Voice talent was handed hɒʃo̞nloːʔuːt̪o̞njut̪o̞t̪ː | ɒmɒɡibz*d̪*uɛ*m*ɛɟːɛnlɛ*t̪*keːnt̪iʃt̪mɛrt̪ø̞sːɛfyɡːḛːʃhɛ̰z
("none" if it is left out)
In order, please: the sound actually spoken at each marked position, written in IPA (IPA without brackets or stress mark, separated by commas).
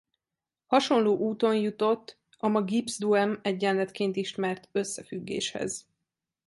d̪, m, t̪